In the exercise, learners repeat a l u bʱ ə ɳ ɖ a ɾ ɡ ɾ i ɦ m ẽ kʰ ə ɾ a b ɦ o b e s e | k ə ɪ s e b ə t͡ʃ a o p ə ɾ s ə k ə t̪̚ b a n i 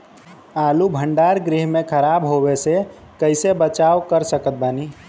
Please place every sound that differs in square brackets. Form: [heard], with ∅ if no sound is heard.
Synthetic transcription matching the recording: a l u bʱ ə ɳ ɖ a ɾ ɡ ɾ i ɦ m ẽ kʰ ə ɾ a b ɦ o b e s e | k ə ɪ s e b ə t͡ʃ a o [k] ə ɾ s ə k ə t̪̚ b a n i